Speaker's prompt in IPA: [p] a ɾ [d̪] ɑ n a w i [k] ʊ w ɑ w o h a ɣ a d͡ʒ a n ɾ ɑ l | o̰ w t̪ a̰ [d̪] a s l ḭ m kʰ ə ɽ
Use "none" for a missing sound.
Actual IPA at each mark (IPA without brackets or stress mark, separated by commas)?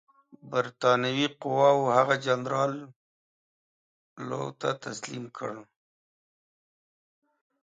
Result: b, t̪, q, t̪